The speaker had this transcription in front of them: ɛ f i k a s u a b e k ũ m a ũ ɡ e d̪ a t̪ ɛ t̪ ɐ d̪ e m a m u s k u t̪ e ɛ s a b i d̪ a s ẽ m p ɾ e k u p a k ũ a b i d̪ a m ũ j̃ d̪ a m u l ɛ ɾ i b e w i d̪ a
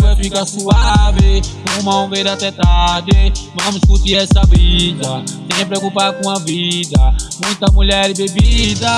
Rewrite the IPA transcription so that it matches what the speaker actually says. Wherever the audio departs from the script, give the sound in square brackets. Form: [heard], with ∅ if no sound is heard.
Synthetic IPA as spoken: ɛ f i k a s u a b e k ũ m a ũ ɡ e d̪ a t̪ ɛ t̪ [a] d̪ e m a m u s k u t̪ [i] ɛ s a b i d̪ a s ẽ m p ɾ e k u p a k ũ a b i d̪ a m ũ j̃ [t̪] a m u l ɛ ɾ i b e [b] i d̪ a